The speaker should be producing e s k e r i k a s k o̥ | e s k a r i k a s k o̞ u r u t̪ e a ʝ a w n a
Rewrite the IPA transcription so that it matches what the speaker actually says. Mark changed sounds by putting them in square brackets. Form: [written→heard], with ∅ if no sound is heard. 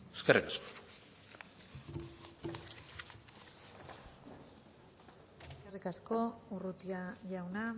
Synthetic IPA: e s k e r i k a s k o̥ | e s k [a→e] r i k a s k o̞ u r u t̪ [e→i] a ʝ a w n a

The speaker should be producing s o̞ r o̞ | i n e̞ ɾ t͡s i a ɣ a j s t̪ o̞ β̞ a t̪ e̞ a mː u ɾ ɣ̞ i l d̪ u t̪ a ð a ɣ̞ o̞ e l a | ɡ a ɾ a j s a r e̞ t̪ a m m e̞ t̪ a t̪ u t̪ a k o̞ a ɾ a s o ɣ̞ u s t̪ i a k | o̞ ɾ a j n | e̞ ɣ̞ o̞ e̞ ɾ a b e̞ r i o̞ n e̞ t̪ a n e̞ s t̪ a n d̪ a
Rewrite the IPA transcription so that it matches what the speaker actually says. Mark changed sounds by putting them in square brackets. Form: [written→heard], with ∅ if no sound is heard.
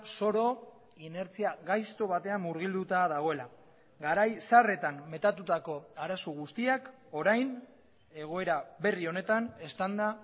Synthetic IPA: s o̞ [r→ɾ] o̞ | i n e̞ ɾ t͡s i a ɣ a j s t̪ o̞ β̞ a t̪ e̞ a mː u ɾ ɣ̞ i l d̪ u t̪ a ð a ɣ̞ o̞ e l a | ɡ a ɾ a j s a r e̞ t̪ a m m e̞ t̪ a t̪ u t̪ a k o̞ a ɾ a s o ɣ̞ u s t̪ i a k | o̞ ɾ a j n | e̞ ɣ̞ o̞ e̞ ɾ a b e̞ r i o̞ n e̞ t̪ a n e̞ s t̪ a n d̪ a

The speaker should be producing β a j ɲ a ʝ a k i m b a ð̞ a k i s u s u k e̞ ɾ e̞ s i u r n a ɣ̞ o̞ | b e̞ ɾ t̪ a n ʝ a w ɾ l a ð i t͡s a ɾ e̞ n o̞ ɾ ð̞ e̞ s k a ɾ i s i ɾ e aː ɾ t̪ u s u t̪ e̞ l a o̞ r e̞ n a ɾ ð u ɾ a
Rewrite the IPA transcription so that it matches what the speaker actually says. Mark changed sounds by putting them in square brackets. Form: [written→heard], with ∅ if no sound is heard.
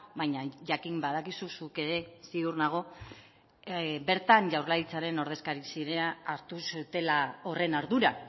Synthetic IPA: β a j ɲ a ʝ a k i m b a ð̞ a k i s u s u k e̞ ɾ e̞ s i u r n a ɣ̞ o̞ | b e̞ ɾ t̪ a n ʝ a w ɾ l a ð i t͡s a ɾ e̞ n o̞ ɾ ð̞ e̞ s k a ɾ i s i ɾ e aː ɾ t̪ u s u t̪ e̞ l a o̞ r e̞ n a ɾ ð u ɾ a

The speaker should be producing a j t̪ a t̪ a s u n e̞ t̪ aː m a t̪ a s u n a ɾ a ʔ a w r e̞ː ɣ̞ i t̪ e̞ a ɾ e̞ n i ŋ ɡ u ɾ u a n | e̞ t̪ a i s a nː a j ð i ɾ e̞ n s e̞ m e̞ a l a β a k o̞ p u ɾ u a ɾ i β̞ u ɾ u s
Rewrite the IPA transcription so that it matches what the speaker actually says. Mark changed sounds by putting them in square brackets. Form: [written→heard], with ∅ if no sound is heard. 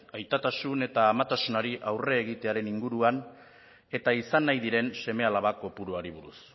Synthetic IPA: a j t̪ a t̪ a s u n e̞ t̪ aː m a t̪ a s u n a ɾ [a→i] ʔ a w r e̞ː ɣ̞ i t̪ e̞ a ɾ e̞ n i ŋ ɡ u ɾ u a n | e̞ t̪ a i s a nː a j ð i ɾ e̞ n s e̞ m e̞ a l a β a k o̞ p u ɾ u a ɾ i β̞ u ɾ u s

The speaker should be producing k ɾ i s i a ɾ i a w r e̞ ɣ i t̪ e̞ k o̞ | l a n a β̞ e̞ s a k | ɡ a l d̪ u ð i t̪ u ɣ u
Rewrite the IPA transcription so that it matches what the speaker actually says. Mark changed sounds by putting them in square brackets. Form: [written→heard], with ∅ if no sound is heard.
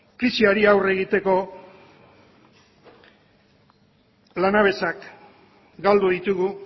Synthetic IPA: k ɾ i s i a ɾ i a w r e̞ ɣ i t̪ e̞ k o̞ | l a n a β̞ e̞ s a k | ɡ a l d̪ u ð i t̪ u ɣ u

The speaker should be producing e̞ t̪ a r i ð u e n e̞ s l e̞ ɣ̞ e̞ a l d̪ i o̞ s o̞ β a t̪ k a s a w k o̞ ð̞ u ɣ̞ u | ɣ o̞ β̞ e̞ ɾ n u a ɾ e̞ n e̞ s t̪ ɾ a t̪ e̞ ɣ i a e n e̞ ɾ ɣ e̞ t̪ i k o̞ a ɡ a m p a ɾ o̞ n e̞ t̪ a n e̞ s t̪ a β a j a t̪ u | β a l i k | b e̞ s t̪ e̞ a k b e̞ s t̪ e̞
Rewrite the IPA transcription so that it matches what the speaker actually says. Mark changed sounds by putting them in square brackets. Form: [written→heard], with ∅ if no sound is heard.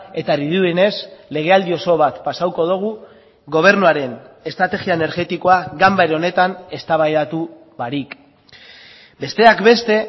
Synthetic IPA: e̞ t̪ a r i ð u e n e̞ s l e̞ ɣ̞ e̞ a l d̪ i o̞ s o̞ β a t̪ [k→p] a s a w k o̞ ð̞ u ɣ̞ u | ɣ o̞ β̞ e̞ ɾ n u a ɾ e̞ n e̞ s t̪ ɾ a t̪ e̞ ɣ i a e n e̞ ɾ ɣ e̞ t̪ i k o̞ a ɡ a m [p→b] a ɾ o̞ n e̞ t̪ a n e̞ s t̪ a β a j a t̪ u | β a [l→ɾ] i k | b e̞ s t̪ e̞ a k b e̞ s t̪ e̞

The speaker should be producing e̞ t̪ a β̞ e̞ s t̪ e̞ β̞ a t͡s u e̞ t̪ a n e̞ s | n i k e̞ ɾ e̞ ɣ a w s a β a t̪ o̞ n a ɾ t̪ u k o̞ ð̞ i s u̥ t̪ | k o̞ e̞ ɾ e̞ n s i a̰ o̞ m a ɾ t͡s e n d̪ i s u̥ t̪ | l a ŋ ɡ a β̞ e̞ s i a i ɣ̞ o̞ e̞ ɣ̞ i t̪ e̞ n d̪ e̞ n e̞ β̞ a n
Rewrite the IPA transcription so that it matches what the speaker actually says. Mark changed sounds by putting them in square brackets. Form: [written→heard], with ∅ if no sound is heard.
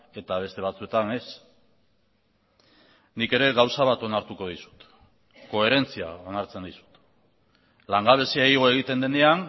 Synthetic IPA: e̞ t̪ a β̞ e̞ s t̪ e̞ β̞ a t͡s u e̞ t̪ a n e̞ s | n i k e̞ ɾ e̞ ɣ a w s a β a t̪ o̞ n a ɾ t̪ u k o̞ ð̞ i s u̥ t̪ | k o̞ e̞ ɾ e̞ n [s→t͡s] i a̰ o̞ [m→n] a ɾ t͡s e n d̪ i s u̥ t̪ | l a ŋ ɡ a β̞ e̞ s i a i ɣ̞ o̞ e̞ ɣ̞ i t̪ e̞ n d̪ e̞ n e̞ [β̞→∅] a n

